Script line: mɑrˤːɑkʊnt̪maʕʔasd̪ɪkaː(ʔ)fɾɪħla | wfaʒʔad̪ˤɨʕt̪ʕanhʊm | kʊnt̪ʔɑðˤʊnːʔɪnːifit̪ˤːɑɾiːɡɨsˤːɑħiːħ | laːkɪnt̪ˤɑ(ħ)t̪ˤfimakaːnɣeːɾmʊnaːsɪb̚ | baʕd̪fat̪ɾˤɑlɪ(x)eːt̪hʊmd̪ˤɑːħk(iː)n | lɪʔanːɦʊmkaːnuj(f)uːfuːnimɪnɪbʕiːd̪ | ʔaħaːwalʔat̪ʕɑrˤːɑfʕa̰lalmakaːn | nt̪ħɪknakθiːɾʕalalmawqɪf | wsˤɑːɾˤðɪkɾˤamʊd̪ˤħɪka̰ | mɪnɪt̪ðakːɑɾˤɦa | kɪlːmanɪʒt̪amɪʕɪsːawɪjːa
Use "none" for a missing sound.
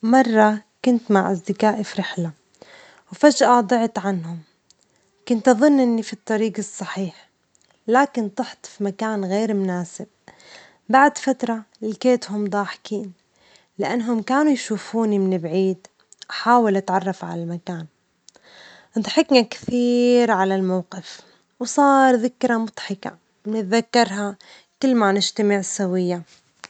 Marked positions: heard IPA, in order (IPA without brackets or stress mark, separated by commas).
ʔ, ħ, k, iː, ʃ